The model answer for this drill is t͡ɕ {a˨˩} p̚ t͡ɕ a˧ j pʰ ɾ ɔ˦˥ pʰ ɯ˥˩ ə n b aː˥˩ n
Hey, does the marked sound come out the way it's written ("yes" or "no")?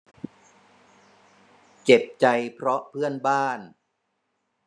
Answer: no